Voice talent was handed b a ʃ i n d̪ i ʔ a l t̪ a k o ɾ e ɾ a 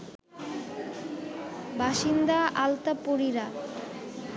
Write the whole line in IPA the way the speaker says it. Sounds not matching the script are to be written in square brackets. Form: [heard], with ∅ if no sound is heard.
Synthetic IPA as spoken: b a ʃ i n d̪ [a] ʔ a l t̪ a [p] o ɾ [i] ɾ a